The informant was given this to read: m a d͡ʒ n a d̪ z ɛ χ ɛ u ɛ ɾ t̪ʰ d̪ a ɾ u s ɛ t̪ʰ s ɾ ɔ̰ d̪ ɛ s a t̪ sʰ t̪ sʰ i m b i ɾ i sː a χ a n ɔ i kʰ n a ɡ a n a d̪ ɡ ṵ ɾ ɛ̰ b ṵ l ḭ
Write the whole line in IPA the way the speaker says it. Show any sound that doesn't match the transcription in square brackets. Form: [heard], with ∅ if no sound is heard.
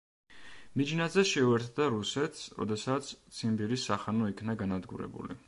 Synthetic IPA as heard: m [i] d͡ʒ n a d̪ z ɛ [ʃ] ɛ u ɛ ɾ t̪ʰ d̪ a ɾ u s ɛ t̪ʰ s ɾ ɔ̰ d̪ ɛ s a t̪ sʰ t̪ sʰ i m b i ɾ i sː a χ a n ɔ i kʰ n a ɡ a n a d̪ ɡ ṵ ɾ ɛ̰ b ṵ l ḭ